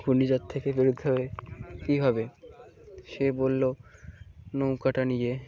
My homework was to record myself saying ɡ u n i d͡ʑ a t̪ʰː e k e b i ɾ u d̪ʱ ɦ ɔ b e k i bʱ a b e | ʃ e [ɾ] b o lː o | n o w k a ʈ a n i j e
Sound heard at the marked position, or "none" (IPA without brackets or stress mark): none